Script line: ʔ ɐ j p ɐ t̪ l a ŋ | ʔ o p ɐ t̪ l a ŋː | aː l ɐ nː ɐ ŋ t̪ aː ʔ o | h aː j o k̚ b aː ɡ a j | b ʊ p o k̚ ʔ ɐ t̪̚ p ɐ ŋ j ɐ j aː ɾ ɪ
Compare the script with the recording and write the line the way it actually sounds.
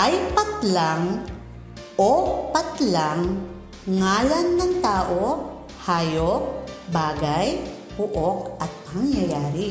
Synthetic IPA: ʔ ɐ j p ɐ t̪ l a ŋ | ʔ o p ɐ t̪ l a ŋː | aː l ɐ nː ɐ ŋ t̪ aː ʔ o | h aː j o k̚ b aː ɡ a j | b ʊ ʔ o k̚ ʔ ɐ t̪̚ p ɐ ŋ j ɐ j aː ɾ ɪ